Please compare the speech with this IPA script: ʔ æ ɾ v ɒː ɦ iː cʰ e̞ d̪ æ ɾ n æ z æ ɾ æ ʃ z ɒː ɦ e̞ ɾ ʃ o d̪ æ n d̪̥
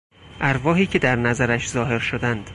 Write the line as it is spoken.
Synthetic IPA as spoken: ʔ æ ɾ v ɒː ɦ iː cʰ e̞ d̪ æ ɾ n æ z æ ɾ æ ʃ z ɒː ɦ e̞ ɾ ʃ o d̪ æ n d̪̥